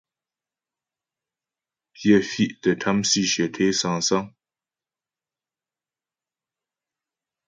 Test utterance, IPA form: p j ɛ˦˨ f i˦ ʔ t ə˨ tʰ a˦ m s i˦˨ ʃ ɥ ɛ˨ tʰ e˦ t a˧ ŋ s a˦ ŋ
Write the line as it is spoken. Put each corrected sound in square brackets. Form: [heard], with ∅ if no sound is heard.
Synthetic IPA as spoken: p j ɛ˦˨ f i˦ ʔ t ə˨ tʰ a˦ m s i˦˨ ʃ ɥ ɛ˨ tʰ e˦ [s] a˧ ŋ s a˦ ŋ